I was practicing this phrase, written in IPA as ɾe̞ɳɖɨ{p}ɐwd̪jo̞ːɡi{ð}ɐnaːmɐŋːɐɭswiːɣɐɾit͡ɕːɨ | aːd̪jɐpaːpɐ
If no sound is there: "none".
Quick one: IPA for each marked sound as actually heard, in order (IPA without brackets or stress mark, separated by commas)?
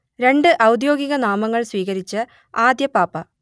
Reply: ʔ, ɣ